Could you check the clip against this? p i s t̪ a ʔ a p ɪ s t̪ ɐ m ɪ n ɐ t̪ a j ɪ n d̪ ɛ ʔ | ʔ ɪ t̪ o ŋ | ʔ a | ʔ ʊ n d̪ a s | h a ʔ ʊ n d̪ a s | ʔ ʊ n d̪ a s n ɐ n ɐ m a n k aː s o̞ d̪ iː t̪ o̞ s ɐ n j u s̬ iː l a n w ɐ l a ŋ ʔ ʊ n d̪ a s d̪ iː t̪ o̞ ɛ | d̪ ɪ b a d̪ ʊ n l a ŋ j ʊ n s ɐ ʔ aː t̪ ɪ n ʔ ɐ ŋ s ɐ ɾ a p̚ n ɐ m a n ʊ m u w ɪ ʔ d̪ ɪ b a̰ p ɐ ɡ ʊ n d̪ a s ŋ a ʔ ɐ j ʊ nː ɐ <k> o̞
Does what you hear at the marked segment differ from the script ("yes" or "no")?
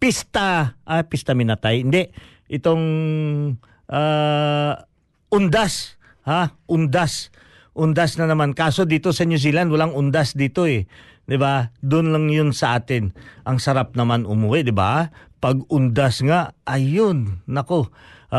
no